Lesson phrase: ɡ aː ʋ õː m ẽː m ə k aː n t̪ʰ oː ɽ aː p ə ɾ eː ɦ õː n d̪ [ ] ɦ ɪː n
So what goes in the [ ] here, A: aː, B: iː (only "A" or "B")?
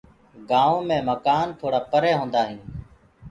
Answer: A